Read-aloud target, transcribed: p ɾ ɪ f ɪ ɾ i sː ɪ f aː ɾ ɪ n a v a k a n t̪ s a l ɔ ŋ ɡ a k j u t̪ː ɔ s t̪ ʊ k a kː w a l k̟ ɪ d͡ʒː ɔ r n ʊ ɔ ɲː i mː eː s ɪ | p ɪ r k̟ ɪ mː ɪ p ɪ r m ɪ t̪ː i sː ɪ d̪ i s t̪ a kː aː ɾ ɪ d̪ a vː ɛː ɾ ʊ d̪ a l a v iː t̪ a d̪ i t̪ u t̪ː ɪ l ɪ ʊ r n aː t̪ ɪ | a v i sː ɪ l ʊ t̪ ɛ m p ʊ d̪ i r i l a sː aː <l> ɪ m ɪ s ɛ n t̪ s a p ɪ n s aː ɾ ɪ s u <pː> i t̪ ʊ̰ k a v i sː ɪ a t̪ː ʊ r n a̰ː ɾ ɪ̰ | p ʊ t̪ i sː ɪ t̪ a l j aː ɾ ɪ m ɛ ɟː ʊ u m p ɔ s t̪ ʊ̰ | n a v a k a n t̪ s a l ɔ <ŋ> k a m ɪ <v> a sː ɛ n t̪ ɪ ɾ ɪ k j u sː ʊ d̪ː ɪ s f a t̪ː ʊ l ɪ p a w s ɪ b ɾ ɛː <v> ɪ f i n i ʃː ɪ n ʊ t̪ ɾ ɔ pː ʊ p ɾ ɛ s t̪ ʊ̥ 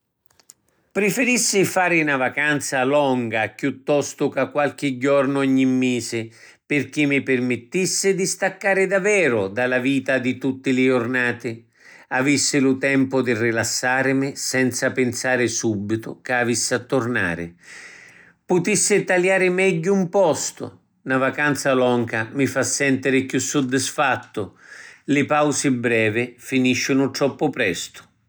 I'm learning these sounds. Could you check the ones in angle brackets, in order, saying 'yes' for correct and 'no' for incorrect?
no, no, yes, no, yes

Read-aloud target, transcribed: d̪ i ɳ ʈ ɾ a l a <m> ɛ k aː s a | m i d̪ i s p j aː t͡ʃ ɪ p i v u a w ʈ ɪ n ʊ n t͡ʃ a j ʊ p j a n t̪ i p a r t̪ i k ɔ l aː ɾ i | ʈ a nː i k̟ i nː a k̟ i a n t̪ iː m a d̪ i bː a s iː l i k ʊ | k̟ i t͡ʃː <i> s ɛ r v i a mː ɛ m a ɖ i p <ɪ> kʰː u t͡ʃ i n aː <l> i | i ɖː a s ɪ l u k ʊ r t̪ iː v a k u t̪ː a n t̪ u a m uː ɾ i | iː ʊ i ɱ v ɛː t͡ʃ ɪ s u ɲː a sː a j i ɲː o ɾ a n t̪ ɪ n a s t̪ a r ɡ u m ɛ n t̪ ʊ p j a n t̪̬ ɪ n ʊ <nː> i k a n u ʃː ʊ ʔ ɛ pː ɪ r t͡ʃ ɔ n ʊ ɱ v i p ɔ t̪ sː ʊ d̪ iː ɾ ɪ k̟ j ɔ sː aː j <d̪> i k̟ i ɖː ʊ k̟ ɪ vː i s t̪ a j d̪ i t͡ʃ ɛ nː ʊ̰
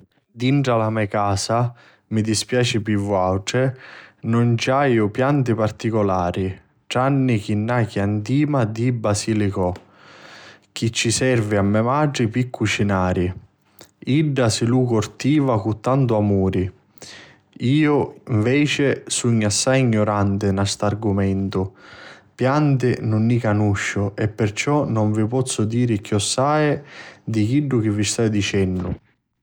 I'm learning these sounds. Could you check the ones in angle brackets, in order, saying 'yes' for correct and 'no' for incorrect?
yes, yes, no, no, yes, yes

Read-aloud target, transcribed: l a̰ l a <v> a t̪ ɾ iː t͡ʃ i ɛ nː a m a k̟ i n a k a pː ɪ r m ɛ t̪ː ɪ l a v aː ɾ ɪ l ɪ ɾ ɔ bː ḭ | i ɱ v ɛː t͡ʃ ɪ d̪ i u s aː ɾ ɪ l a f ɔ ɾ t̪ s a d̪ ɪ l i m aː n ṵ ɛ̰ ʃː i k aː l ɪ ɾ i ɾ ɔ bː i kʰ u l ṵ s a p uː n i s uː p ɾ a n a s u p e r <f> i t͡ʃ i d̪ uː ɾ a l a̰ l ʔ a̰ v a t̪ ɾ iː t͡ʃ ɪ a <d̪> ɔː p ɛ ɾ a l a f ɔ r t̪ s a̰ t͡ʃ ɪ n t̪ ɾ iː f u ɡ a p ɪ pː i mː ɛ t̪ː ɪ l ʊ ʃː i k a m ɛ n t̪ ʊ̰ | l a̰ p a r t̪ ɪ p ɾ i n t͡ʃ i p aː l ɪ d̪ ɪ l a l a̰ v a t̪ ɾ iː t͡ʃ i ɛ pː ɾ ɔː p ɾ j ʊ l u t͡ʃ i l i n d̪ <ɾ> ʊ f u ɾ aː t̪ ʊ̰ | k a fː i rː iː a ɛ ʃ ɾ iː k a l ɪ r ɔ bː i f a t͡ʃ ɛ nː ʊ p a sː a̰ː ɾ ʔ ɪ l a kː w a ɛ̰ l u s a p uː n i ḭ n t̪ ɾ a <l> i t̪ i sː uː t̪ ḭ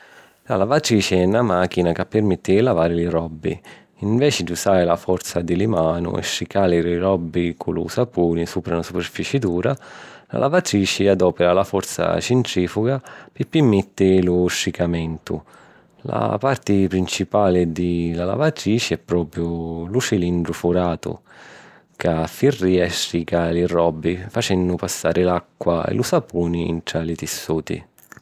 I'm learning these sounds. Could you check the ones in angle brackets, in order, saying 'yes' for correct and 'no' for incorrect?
yes, yes, yes, yes, yes

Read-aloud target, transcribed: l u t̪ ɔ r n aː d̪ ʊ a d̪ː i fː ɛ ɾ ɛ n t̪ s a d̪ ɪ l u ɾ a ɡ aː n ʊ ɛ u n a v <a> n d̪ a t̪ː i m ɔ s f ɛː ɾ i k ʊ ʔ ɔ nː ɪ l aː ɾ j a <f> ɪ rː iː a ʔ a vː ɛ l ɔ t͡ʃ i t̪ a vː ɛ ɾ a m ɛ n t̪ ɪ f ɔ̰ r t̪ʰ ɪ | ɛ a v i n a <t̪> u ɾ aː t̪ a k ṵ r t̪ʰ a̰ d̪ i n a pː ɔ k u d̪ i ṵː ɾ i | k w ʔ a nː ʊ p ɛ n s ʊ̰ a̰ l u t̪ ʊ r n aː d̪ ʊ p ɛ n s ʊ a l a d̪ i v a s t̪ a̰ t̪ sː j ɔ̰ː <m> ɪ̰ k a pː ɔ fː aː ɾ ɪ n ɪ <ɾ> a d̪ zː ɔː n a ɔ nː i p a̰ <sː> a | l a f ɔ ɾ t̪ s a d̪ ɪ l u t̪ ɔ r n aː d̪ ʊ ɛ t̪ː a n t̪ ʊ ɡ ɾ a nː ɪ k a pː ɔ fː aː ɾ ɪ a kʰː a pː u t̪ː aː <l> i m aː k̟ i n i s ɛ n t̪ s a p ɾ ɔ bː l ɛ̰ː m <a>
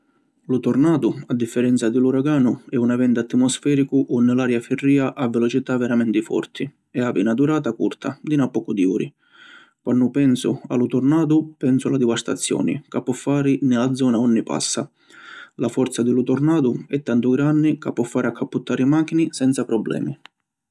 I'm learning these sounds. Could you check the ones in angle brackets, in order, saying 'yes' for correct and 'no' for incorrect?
no, yes, no, no, no, yes, no, no

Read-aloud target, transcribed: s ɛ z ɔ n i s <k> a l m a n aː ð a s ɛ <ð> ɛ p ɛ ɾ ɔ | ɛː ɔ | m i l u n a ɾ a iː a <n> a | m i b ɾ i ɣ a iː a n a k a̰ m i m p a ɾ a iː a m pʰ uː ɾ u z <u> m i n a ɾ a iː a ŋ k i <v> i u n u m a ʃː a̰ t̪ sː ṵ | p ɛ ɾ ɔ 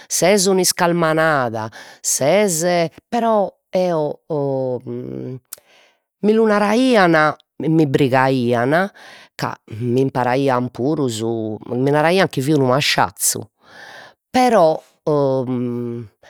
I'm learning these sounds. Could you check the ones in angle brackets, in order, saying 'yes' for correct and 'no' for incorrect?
yes, no, yes, yes, yes

